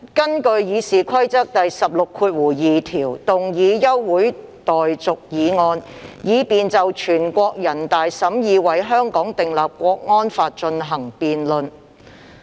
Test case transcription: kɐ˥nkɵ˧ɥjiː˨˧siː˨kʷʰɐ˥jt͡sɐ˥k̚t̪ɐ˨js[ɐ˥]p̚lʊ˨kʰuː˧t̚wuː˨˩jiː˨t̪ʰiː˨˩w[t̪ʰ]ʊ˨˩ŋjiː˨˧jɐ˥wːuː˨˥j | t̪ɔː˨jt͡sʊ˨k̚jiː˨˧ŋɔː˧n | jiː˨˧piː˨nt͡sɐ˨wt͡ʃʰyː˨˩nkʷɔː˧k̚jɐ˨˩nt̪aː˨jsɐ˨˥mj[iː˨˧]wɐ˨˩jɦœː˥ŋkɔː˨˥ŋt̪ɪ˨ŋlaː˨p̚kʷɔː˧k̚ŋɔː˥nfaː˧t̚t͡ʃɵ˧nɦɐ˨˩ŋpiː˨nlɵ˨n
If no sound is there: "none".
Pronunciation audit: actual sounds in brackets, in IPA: ɐ˨, t̪, iː˨˧

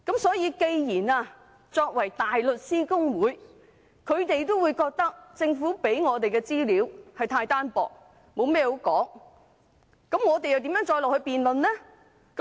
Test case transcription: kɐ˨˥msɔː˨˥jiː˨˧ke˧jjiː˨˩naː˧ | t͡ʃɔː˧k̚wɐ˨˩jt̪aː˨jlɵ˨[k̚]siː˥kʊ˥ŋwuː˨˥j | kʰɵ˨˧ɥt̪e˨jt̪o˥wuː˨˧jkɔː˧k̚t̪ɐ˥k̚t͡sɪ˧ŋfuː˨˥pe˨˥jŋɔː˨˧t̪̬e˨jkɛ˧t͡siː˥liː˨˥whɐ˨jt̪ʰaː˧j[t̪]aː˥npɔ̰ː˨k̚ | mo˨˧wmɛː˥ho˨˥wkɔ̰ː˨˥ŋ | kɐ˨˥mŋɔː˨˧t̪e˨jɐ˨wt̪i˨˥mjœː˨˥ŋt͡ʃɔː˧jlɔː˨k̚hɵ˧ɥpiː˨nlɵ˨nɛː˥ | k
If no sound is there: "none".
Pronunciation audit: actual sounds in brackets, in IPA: t̚, t̪

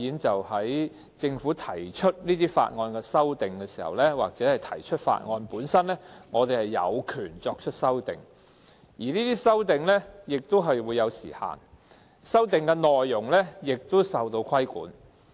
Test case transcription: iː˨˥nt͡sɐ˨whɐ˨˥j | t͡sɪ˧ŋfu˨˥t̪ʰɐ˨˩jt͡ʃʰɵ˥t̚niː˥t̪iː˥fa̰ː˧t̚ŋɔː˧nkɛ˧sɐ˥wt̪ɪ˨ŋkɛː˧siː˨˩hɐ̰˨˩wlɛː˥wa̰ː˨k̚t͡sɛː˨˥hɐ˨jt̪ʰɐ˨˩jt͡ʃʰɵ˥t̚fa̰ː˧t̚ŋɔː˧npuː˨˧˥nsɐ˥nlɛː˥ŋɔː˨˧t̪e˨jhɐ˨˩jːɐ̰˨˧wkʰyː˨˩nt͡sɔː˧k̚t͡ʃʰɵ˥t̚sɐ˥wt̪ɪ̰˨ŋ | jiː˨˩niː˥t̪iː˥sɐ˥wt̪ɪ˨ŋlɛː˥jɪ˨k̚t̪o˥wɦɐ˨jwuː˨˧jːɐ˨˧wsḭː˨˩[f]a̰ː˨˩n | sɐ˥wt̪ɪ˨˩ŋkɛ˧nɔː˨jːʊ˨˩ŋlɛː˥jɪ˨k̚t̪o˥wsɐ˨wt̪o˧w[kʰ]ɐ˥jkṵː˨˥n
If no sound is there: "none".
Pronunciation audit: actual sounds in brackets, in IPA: h, kʰ

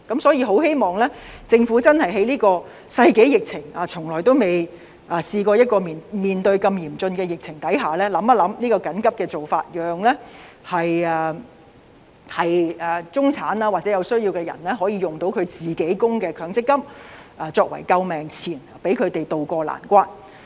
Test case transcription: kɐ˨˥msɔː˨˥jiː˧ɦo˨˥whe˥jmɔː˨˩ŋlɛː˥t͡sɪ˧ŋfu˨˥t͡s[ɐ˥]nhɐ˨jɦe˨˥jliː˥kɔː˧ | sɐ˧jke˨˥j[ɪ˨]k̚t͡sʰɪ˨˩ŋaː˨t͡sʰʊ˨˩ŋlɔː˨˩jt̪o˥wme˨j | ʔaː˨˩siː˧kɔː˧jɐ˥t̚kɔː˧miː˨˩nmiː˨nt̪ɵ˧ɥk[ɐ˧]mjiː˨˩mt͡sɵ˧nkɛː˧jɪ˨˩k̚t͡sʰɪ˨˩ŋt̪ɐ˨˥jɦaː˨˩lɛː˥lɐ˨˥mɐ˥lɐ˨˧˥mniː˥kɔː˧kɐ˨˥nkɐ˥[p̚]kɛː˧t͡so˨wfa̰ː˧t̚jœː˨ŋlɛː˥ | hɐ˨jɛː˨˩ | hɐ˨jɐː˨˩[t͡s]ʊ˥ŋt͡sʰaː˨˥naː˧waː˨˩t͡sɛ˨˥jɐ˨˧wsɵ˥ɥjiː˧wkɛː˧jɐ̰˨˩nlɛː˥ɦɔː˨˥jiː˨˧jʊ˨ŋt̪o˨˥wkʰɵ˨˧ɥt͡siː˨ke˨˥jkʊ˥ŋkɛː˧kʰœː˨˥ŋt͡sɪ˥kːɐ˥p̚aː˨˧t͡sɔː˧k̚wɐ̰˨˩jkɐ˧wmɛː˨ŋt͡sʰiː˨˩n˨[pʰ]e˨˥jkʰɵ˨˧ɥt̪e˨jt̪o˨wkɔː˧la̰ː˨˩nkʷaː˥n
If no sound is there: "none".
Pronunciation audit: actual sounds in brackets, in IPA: ɐ˥, ɪ˨, ɐ˧, p̚, t͡s, p

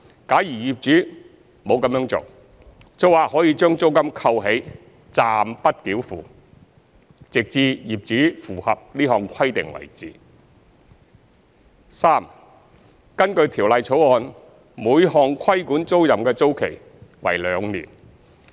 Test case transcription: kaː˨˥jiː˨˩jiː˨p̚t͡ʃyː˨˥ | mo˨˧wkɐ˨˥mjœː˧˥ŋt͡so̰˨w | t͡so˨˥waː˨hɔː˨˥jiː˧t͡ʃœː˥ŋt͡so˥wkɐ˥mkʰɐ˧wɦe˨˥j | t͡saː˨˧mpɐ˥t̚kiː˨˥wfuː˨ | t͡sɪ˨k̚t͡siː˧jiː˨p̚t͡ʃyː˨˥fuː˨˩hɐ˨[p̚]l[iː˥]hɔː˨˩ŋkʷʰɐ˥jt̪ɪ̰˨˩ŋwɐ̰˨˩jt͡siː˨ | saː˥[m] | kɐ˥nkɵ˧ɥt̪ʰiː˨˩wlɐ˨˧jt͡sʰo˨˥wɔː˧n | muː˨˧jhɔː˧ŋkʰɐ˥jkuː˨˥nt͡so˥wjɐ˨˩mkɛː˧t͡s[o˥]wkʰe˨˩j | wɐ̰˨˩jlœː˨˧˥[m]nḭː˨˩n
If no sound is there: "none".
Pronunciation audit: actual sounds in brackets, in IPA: p̚, iː˥, m, o˥, ŋ

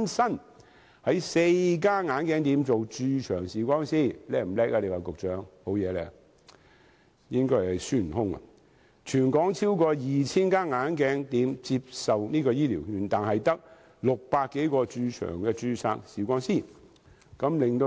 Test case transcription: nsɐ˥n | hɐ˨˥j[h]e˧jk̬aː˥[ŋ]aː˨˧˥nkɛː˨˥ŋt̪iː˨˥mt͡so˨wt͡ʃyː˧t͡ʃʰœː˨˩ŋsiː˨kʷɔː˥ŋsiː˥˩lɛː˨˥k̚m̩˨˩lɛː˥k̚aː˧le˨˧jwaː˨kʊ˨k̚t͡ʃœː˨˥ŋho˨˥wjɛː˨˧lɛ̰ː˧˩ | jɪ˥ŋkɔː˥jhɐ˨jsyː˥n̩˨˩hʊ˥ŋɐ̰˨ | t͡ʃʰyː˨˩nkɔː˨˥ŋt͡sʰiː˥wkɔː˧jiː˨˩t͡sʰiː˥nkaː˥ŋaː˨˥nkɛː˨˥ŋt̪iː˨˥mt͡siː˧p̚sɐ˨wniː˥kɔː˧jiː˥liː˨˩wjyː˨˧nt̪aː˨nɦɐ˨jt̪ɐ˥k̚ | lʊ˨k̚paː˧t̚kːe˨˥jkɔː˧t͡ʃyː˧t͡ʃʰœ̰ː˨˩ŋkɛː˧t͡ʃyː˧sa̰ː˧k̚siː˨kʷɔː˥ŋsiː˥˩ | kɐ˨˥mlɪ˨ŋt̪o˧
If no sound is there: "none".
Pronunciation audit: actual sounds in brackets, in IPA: s, ŋ

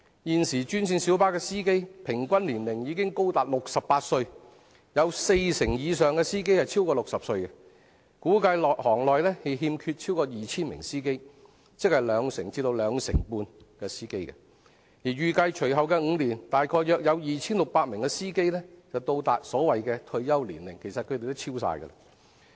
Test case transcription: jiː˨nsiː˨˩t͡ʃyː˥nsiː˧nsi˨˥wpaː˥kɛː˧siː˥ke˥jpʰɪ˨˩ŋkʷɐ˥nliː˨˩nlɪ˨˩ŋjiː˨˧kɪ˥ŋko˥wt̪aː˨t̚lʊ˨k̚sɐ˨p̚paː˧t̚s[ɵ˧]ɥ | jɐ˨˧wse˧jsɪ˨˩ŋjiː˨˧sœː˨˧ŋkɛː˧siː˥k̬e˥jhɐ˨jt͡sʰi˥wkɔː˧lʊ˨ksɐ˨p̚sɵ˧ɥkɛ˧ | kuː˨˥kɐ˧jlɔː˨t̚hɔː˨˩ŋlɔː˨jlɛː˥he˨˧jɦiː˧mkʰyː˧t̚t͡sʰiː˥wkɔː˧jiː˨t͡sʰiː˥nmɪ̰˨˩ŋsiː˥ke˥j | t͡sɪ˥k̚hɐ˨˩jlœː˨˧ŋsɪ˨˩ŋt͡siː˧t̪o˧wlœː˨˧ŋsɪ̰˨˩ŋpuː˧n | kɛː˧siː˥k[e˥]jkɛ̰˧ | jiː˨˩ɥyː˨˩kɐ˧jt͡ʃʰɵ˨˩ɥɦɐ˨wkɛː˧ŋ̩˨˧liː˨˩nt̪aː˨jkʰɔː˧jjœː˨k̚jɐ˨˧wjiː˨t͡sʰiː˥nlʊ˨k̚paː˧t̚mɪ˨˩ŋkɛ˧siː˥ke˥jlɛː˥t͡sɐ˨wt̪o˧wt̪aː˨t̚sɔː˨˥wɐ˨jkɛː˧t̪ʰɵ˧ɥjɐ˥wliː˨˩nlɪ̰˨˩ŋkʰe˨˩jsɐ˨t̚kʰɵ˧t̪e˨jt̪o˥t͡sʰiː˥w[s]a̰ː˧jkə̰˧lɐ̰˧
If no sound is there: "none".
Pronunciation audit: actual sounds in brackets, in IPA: ɵ˧, e˥, s

